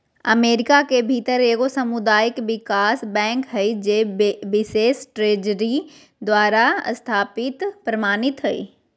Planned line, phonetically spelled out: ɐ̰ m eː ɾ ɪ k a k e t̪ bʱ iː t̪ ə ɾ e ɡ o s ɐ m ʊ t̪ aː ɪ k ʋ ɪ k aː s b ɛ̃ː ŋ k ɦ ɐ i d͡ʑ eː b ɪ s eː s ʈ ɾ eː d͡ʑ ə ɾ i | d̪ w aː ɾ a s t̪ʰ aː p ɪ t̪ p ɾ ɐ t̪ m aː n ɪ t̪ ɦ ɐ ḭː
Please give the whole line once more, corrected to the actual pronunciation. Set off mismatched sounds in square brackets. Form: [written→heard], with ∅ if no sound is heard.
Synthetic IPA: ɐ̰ m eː ɾ ɪ k a k e [t̪→∅] bʱ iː t̪ ə ɾ e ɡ o s ɐ m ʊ [t̪→d̪] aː ɪ k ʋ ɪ k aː s b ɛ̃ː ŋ k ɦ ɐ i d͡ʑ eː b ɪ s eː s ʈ ɾ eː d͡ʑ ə ɾ i | d̪ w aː ɾ a s t̪ʰ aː p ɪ t̪ p ɾ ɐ [t̪→∅] m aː n ɪ t̪ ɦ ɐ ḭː

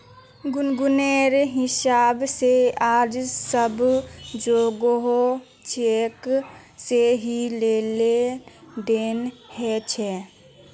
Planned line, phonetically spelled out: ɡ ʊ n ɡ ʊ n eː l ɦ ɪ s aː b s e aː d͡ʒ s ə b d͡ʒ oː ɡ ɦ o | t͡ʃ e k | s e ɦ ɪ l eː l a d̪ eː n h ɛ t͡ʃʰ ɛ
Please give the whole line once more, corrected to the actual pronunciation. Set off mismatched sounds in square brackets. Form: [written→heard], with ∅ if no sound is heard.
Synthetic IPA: ɡ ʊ n ɡ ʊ n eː [l→ɾ] ɦ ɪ s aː b s e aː d͡ʒ s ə b d͡ʒ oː ɡ ɦ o | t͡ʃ e k | s e ɦ [ɪ→i] l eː l [a→e] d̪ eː n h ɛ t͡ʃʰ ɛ

